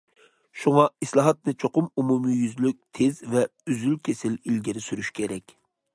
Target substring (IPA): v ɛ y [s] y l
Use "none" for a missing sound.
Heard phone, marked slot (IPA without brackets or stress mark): z